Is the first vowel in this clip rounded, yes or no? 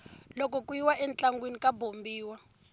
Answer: yes